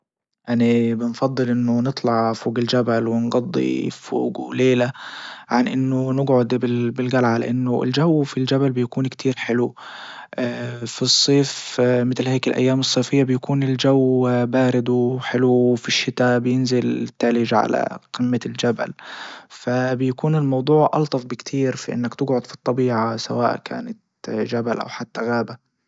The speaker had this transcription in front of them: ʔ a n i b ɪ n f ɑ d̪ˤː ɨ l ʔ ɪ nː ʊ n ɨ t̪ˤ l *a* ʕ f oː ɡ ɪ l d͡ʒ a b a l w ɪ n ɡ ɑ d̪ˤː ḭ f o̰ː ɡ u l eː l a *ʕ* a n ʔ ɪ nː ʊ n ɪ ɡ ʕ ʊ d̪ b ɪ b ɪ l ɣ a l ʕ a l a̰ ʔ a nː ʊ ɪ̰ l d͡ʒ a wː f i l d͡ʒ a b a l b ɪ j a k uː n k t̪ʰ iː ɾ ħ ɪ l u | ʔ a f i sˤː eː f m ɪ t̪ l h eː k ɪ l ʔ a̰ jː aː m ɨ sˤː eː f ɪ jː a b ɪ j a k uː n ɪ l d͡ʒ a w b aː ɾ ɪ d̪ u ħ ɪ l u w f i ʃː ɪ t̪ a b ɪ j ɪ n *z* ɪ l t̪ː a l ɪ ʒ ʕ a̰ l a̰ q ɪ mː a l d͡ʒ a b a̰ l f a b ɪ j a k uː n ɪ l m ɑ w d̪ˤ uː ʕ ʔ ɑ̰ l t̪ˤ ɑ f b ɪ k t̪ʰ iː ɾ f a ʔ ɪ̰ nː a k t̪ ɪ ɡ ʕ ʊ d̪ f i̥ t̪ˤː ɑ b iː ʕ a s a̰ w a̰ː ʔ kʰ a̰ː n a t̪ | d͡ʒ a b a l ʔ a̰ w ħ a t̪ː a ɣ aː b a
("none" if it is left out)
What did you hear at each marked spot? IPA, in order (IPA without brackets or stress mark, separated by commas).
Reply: ɑ, ʕ, z